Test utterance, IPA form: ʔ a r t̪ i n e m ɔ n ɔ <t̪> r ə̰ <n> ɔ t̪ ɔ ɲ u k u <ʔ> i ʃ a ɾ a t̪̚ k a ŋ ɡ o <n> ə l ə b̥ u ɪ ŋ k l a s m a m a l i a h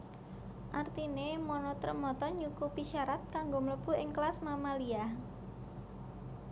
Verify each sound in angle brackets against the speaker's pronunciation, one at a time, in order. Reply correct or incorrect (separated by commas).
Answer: correct, incorrect, incorrect, incorrect